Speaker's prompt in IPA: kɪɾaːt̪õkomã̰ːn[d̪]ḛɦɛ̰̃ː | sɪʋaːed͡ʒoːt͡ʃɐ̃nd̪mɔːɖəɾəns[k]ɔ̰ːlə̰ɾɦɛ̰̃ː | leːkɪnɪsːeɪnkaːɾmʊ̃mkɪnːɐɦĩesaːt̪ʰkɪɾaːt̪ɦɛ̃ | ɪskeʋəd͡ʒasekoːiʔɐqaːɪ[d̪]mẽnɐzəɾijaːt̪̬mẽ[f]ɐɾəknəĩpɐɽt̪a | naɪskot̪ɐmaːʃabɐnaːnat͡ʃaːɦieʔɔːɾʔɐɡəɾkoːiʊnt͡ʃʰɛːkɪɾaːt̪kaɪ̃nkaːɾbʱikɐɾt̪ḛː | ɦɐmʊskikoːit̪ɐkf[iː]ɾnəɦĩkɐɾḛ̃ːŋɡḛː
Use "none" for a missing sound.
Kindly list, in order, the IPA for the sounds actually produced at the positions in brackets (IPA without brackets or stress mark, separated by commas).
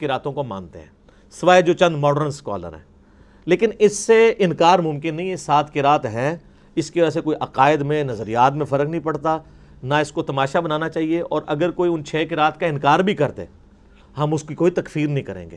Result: t̪, k, d̪, f, iː